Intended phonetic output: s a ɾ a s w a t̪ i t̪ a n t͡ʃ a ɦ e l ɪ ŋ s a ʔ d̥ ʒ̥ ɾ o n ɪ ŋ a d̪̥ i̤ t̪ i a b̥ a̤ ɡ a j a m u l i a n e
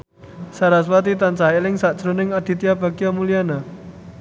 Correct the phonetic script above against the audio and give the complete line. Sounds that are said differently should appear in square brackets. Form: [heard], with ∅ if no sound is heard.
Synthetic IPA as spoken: s a ɾ a s w a t̪ i t̪ a n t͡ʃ a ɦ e l ɪ ŋ s a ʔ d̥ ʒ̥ ɾ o n ɪ ŋ a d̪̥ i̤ t̪ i a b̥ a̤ ɡ [i] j a m u l i a n [a]